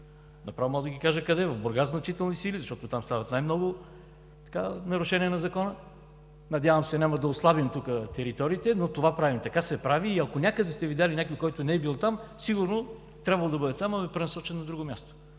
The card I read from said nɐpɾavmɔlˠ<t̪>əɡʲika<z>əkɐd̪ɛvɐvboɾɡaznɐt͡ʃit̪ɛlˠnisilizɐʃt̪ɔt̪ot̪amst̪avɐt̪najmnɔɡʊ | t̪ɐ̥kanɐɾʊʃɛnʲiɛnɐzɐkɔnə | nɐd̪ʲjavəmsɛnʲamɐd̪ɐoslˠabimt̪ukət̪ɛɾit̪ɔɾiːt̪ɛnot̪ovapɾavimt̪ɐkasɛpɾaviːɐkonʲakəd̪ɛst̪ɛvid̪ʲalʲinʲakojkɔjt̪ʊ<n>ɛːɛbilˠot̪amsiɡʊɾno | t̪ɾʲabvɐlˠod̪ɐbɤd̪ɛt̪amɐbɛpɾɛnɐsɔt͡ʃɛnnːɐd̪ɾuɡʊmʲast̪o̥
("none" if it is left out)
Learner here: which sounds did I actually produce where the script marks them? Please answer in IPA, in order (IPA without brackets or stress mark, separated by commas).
d̪, ʒ, n